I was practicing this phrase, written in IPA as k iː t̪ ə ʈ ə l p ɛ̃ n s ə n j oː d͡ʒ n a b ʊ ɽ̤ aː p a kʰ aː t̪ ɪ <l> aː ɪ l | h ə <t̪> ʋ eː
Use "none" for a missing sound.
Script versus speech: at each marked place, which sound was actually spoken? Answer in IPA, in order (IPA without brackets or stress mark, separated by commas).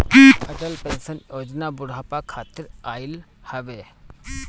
ɾ, none